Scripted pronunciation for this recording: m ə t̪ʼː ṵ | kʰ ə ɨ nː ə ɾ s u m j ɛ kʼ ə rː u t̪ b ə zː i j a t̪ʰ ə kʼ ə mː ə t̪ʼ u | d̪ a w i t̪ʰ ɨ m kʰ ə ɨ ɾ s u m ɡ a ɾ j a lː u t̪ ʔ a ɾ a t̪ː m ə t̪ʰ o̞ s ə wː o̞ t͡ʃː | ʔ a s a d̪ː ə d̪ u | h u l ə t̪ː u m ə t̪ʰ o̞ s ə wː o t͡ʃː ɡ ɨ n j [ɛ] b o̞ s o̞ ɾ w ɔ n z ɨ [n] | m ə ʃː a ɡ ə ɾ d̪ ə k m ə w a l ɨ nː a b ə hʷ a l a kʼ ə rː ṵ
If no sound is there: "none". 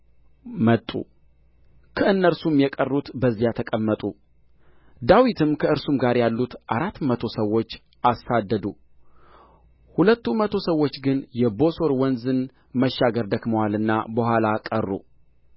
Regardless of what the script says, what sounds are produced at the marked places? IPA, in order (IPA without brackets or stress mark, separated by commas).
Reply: ɛ, n